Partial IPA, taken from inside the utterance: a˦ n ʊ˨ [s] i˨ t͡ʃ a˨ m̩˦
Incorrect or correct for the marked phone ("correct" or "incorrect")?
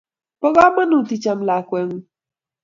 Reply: incorrect